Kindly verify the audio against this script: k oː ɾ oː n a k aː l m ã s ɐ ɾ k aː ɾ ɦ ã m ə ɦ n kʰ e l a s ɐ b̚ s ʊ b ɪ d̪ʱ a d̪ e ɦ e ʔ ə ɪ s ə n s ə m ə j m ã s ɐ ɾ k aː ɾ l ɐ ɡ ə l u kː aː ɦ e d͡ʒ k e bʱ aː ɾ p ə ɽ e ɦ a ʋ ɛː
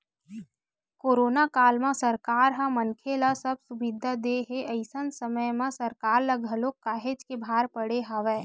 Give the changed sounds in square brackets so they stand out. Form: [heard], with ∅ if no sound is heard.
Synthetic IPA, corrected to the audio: k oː ɾ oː n a k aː l m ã s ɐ ɾ k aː ɾ ɦ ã m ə [∅] n kʰ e l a s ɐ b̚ s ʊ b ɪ d̪ʱ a d̪ e ɦ e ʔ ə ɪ s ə n s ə m ə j m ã s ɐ ɾ k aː ɾ l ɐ ɡ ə l [o] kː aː ɦ e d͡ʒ k e bʱ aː ɾ p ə ɽ e ɦ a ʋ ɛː

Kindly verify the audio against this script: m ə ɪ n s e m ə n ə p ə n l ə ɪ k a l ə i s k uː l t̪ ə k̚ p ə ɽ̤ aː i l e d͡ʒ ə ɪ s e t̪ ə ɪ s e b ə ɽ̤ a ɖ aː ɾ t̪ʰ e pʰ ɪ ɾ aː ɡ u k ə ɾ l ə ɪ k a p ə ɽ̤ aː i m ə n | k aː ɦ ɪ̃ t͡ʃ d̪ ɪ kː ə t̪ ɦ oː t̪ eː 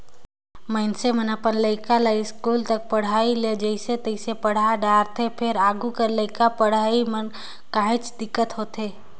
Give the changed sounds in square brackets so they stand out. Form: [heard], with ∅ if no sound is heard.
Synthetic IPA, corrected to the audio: m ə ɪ n s e m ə n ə p ə n l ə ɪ k a l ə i s k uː l t̪ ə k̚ p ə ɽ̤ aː i l e d͡ʒ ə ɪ s e t̪ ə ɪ s e [p] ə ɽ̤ a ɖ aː ɾ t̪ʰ e pʰ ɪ ɾ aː ɡ u k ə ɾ l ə ɪ k a p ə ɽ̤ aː i m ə n | k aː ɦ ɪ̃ t͡ʃ d̪ ɪ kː ə t̪ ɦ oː t̪ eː

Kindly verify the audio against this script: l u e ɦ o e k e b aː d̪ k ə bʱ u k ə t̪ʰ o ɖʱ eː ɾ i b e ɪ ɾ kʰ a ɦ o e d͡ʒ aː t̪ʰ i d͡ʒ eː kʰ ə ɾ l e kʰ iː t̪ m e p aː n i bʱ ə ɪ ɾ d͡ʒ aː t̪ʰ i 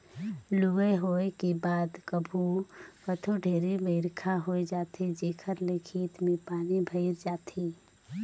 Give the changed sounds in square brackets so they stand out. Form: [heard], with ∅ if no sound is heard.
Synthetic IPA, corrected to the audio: l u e ɦ o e k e b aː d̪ k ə bʱ u k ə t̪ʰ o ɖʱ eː ɾ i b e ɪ ɾ kʰ a ɦ o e d͡ʒ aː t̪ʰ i d͡ʒ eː kʰ ə ɾ l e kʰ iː t̪ m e p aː n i bʱ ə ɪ ɾ d͡ʒ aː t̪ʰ i

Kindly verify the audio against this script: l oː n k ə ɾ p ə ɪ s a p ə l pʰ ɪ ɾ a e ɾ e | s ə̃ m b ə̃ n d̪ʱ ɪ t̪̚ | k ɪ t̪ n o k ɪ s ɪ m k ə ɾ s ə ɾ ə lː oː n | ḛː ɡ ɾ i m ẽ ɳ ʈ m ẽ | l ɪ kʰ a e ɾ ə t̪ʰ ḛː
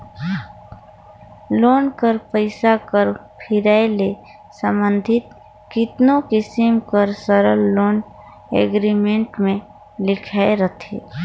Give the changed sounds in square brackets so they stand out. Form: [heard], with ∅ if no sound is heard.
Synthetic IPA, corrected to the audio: l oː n k ə ɾ p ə ɪ s a [k] ə [ɾ] pʰ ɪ ɾ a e [l] e | s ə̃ m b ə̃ n d̪ʱ ɪ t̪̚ | k ɪ t̪ n o k ɪ s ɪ m k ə ɾ s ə ɾ ə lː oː n | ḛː ɡ ɾ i m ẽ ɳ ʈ m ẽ | l ɪ kʰ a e ɾ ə t̪ʰ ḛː

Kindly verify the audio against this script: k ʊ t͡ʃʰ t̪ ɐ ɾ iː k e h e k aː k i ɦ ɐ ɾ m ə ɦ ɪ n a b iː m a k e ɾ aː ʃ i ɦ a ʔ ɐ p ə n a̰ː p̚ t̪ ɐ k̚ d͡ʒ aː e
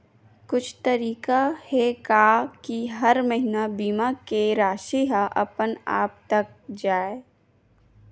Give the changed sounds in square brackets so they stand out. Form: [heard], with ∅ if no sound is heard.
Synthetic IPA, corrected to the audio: k ʊ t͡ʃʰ t̪ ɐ ɾ iː k [a] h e k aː k i ɦ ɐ ɾ m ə ɦ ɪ n a b iː m a k e ɾ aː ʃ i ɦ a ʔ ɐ p ə n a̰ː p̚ t̪ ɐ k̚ d͡ʒ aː e

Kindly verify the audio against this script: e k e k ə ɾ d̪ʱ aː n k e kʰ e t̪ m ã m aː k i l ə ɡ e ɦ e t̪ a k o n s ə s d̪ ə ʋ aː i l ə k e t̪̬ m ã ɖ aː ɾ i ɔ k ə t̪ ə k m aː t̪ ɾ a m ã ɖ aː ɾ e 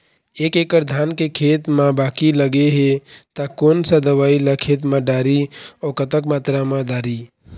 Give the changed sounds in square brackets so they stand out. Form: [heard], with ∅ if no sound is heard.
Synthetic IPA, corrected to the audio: e k e k ə ɾ d̪ʱ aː n k e kʰ e t̪ m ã [b] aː k i l ə ɡ e ɦ e t̪ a k o n s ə [∅] d̪ ə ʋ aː i l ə [kʰ] e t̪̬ m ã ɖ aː ɾ i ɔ k ə t̪ ə k m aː t̪ ɾ a m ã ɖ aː ɾ [i]

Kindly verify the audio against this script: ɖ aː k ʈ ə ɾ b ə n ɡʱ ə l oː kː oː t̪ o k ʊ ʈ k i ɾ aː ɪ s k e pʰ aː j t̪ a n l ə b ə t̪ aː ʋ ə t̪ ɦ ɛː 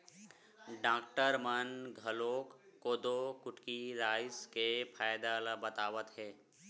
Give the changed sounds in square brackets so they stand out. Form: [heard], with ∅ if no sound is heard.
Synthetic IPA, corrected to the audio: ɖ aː k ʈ ə ɾ [m] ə n ɡʱ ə l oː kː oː [d̪] o k ʊ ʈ k i ɾ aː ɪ s k e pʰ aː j [d̪] a [∅] l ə b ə t̪ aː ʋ ə t̪ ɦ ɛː

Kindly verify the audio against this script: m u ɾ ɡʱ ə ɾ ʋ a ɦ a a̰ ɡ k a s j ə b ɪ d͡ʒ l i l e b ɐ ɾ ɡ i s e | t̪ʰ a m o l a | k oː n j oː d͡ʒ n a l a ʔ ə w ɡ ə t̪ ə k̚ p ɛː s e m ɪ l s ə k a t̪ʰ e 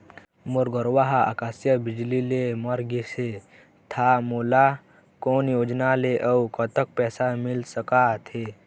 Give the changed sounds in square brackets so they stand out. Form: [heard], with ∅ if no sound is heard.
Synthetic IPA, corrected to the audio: m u ɾ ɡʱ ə ɾ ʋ a ɦ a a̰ [∅] k a s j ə b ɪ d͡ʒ l i l e [m] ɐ ɾ ɡ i s e | t̪ʰ a m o l a | k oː n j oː d͡ʒ n a l [e] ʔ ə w [k] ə t̪ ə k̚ p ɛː s [a] m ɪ l s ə k a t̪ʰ e

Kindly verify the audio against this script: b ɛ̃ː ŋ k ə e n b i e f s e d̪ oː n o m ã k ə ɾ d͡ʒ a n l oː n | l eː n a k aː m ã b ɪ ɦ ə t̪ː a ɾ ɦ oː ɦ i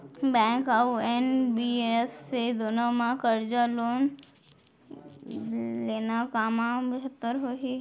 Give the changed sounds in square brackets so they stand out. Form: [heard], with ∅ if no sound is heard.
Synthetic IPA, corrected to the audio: b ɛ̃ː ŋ k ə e n b i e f s e d̪ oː n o m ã k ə ɾ d͡ʒ a [∅] l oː n | l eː n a k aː m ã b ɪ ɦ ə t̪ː [ə] ɾ ɦ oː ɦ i

